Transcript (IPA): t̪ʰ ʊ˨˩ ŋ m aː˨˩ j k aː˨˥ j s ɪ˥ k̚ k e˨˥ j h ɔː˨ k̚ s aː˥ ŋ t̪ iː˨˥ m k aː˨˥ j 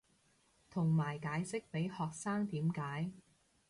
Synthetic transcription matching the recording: t̪ʰ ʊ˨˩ ŋ m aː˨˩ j k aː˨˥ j s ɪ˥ k̚ p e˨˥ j h ɔː˨ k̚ s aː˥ ŋ t̪ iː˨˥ m k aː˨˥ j